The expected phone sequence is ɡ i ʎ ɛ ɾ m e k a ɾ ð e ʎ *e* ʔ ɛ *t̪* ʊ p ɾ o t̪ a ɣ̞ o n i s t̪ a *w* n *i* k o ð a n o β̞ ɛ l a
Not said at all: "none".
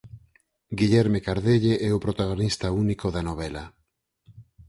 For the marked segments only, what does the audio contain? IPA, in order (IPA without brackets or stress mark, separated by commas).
e, none, u, i